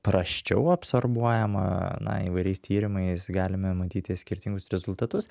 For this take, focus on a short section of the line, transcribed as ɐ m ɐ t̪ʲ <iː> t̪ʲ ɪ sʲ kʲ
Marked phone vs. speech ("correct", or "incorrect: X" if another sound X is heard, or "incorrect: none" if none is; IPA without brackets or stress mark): correct